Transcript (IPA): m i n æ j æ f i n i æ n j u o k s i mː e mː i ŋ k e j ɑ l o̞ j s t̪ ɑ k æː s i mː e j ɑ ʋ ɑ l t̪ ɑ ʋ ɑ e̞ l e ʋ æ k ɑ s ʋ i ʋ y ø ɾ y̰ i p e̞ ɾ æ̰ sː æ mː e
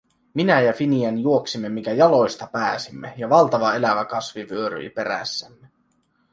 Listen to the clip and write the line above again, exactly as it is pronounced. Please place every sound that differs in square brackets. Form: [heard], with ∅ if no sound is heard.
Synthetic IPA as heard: m i n æ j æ f i n i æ n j u o k s i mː e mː i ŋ k [æ] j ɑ l o̞ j s t̪ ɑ [p] æː s i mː e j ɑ ʋ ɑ l t̪ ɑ ʋ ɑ e̞ l [æ] ʋ æ k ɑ s ʋ i ʋ y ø ɾ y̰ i p e̞ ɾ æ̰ sː æ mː e